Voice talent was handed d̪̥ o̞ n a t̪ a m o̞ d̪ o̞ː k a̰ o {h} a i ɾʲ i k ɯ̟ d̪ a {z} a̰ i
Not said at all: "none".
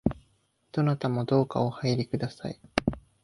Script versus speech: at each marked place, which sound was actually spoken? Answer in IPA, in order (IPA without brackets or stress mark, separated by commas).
h, s